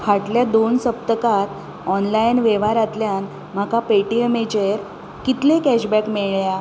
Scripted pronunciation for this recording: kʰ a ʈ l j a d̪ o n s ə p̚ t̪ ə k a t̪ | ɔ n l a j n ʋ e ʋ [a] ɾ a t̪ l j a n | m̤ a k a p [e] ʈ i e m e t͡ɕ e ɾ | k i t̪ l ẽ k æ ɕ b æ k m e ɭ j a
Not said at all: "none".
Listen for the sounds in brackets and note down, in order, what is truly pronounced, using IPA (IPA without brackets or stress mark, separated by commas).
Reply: a, e